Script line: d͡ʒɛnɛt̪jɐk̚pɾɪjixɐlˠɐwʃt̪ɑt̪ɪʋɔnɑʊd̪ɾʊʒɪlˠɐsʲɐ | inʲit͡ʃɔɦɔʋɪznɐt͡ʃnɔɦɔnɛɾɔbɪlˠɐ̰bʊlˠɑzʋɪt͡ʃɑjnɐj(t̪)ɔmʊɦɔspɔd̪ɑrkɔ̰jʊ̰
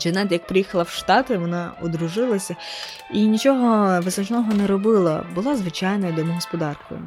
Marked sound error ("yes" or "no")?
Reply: yes